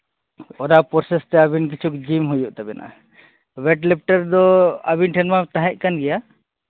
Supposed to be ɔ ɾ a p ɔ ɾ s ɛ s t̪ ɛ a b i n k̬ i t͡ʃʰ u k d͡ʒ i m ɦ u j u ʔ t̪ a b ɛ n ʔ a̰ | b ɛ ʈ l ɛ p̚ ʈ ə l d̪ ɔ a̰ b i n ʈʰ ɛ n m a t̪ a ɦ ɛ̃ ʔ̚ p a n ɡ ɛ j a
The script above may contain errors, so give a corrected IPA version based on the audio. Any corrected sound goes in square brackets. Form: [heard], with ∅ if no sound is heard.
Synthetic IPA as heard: ɔ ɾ a p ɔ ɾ s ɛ s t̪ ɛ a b i n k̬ i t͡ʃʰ u k d͡ʒ i m ɦ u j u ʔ t̪ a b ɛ n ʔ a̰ | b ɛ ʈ l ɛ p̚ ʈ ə [ɾ] d̪ ɔ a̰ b i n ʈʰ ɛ n m a t̪ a ɦ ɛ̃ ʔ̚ [k] a n ɡ ɛ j a